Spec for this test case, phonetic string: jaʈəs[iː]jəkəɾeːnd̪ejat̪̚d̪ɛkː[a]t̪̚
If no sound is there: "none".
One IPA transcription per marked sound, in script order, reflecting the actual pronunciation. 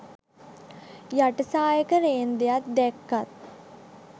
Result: aː, a

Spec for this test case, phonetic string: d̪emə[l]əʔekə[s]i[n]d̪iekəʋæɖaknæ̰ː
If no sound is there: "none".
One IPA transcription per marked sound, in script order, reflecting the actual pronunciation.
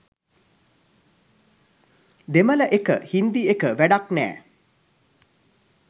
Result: l, h, n

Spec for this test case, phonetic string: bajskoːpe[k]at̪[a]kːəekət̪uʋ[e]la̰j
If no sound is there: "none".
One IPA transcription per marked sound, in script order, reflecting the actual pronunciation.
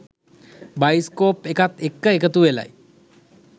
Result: k, e, e

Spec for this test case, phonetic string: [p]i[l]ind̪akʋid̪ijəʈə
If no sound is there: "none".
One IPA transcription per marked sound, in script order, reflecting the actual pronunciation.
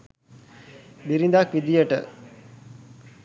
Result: b, ɾ

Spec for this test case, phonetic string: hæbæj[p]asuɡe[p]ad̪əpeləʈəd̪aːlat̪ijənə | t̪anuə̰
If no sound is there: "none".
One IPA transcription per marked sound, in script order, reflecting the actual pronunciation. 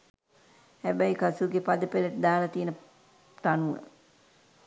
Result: k, p

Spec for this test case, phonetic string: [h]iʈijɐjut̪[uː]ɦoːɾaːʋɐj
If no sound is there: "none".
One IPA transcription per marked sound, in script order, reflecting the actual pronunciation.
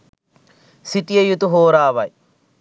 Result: s, u

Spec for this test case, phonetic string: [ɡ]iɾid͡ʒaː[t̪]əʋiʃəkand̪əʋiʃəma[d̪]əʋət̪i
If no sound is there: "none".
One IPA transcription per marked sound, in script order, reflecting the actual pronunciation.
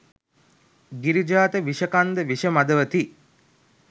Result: ɡ, t̪, d̪

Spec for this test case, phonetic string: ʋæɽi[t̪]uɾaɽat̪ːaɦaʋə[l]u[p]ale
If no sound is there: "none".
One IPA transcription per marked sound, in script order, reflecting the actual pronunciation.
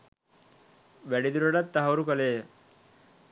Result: d̪, ɾ, k

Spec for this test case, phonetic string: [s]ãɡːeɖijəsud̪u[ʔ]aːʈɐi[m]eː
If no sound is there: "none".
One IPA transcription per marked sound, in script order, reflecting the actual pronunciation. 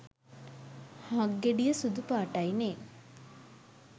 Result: h, p, n

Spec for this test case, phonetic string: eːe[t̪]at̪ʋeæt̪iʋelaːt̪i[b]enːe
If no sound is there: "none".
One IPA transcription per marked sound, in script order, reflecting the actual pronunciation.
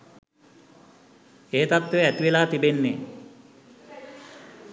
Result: t̪, b

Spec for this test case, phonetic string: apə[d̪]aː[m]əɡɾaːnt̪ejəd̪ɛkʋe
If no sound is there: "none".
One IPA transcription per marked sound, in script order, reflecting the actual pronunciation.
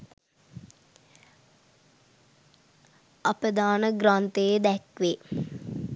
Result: d̪, n

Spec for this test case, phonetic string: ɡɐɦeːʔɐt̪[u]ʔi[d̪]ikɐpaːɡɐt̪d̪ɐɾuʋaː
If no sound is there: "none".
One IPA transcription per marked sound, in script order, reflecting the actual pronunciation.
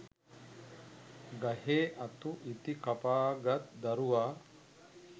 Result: u, t̪

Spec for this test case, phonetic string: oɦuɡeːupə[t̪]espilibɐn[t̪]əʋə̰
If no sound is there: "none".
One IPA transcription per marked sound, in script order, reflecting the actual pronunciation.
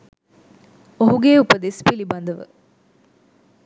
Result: d̪, d̪

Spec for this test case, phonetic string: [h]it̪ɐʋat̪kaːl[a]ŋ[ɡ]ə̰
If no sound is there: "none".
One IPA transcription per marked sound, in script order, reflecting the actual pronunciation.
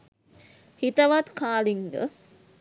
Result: h, i, ɡ

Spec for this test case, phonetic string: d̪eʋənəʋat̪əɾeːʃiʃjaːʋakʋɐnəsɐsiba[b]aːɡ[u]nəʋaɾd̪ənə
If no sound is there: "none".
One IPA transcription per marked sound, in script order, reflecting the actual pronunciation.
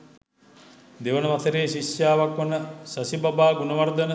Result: b, u

